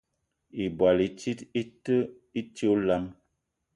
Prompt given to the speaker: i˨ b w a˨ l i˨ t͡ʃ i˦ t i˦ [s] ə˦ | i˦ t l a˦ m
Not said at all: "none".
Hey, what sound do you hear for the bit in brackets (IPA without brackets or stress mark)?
t